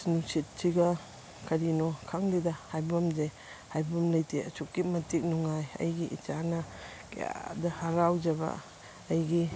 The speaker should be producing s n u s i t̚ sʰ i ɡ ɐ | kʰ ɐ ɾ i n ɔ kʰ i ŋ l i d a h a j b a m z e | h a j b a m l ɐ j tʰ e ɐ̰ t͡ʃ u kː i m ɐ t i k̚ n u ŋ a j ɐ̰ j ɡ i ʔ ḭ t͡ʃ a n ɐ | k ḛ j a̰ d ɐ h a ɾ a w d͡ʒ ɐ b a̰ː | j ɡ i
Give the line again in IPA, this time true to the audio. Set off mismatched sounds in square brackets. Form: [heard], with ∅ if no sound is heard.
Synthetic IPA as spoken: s n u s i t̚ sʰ i ɡ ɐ | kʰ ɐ ɾ i n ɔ kʰ [a] ŋ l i d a h a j b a m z e | h a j b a m l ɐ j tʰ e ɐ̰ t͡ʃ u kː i m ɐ t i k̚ n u ŋ a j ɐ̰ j ɡ i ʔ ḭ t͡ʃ a n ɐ | k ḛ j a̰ d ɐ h a ɾ a w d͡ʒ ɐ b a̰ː | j ɡ i

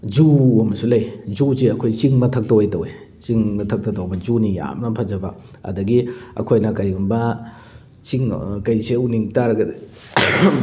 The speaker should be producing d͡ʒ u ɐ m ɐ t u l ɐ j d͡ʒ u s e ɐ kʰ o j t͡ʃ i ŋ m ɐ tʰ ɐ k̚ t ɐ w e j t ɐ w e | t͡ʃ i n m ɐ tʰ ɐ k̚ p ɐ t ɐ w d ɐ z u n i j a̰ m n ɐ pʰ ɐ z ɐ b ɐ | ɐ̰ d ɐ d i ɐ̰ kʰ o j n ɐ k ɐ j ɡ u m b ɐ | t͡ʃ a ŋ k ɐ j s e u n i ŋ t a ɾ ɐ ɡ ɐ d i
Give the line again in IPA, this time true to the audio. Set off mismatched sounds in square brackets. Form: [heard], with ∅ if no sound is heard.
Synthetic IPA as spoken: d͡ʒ u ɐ m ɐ [s] u l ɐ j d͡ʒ u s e ɐ kʰ o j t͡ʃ i ŋ m ɐ tʰ ɐ k̚ t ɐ w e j t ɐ w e | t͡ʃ i [ŋ] m ɐ tʰ ɐ k̚ [t] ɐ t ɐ w [b] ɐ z u n i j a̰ m n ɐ pʰ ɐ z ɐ b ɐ | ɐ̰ d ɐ [ɡ] i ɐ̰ kʰ o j n ɐ k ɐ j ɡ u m b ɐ | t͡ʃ [i] ŋ k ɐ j s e u n i ŋ t a ɾ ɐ ɡ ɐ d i

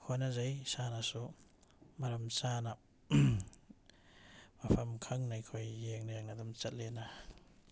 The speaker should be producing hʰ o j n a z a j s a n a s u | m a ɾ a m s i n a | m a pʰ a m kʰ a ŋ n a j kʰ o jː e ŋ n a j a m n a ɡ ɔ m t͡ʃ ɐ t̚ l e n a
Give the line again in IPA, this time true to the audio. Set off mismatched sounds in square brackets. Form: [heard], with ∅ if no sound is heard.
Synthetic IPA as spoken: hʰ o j n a z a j s a n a s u | m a ɾ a m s [a] n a | m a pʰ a m kʰ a ŋ n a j kʰ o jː e ŋ n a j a [ŋ] n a [d] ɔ m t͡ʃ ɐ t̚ l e n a

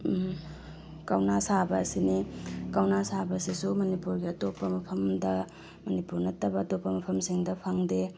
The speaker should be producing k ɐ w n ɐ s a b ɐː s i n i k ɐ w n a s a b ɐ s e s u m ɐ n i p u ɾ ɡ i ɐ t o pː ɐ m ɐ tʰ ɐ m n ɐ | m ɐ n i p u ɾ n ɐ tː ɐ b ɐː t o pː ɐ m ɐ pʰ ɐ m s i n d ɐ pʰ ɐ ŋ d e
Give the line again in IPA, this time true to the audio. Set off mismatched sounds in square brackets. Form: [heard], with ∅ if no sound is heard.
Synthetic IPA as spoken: k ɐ w n [a] s a b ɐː s i n i k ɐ w n a s a b ɐ s [i] s u m ɐ n i p u ɾ ɡ i ɐ t o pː ɐ m ɐ [pʰ] ɐ m [d] ɐ | m ɐ n i p u ɾ n ɐ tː ɐ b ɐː t o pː ɐ m ɐ pʰ ɐ m s i [ŋ] d ɐ pʰ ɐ ŋ d e

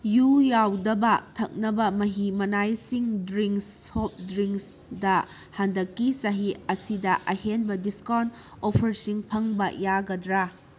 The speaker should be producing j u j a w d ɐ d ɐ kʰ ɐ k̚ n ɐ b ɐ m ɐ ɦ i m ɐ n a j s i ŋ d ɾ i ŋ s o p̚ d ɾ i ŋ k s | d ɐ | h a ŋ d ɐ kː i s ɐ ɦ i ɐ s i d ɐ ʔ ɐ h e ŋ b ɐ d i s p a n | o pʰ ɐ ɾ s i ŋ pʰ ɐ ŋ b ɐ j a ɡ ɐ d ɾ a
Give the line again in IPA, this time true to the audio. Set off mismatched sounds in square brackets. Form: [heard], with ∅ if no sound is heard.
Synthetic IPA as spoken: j u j a w d ɐ [b] ɐ [tʰ] ɐ k̚ n ɐ b ɐ m ɐ ɦ i m ɐ n a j s i ŋ d ɾ i ŋ s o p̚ d ɾ i ŋ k s | d ɐ | h a [n] d ɐ kː i s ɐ ɦ i ɐ s i d ɐ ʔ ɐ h e [n] b ɐ d i s [k] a n | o pʰ ɐ ɾ s i ŋ pʰ ɐ ŋ b ɐ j a ɡ ɐ d ɾ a

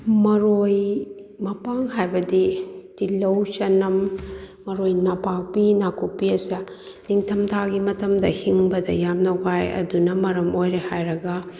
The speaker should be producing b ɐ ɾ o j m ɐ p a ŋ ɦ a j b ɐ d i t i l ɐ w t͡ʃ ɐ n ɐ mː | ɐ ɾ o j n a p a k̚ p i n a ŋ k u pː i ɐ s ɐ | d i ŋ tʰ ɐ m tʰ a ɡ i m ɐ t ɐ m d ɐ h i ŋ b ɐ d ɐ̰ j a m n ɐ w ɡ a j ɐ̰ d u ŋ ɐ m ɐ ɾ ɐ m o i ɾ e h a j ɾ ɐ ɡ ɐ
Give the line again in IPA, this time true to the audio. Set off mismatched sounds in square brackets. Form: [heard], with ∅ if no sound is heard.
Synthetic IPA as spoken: [m] ɐ ɾ o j m ɐ p a ŋ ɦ a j b ɐ d i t i l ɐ w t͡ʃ ɐ n ɐ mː | ɐ ɾ o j n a p a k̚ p i n a [∅] k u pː i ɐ s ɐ | [n] i ŋ tʰ ɐ m tʰ a ɡ i m ɐ t ɐ m d ɐ h i ŋ b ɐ d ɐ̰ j a m n ɐ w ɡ a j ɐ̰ d u [n] ɐ m ɐ ɾ ɐ m o [j] ɾ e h a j ɾ ɐ ɡ ɐ

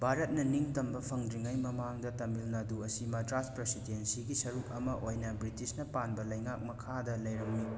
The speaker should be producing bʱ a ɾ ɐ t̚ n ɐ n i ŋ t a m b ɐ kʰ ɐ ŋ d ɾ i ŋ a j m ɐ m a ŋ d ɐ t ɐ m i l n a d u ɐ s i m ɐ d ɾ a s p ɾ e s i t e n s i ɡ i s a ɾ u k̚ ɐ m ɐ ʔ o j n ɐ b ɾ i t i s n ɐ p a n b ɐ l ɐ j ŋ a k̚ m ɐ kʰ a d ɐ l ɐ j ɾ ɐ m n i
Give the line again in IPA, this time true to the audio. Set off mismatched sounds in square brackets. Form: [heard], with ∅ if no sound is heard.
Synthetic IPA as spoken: bʱ a ɾ ɐ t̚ n ɐ n i ŋ t [ɐ] m b ɐ [pʰ] ɐ ŋ d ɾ i ŋ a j m ɐ m a ŋ d ɐ t ɐ m i l n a d u ɐ s i m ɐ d ɾ a s p ɾ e s i [d] e n s i ɡ i s [ɐ] ɾ u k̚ ɐ m ɐ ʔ o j n ɐ b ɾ i t i s n ɐ p a n b ɐ l ɐ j ŋ a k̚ m ɐ kʰ a d ɐ l ɐ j ɾ ɐ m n i

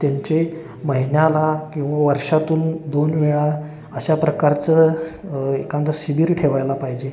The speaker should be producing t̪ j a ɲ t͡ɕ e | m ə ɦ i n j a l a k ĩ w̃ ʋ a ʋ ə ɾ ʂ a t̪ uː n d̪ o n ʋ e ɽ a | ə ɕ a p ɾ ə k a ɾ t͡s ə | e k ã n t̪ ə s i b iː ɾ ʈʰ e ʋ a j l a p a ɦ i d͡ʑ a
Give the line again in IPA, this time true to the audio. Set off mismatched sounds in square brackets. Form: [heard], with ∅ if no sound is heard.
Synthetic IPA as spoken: t̪ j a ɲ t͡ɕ e | m ə ɦ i n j a l a k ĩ w̃ ʋ a ʋ ə ɾ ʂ a t̪ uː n d̪ o n ʋ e [ɭ] a | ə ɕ a p ɾ ə k a ɾ t͡s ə | e k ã n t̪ ə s i b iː ɾ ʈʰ e ʋ a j l a p a ɦ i d͡ʑ [e]

